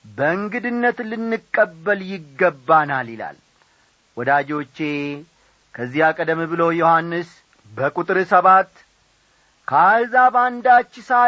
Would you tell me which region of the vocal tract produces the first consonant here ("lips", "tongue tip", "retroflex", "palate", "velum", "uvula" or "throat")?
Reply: lips